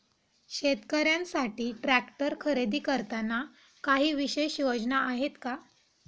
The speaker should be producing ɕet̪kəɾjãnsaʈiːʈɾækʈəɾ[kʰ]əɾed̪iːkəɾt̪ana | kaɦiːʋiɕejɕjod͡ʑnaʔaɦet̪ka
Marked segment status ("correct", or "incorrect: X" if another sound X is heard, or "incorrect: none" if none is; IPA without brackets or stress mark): correct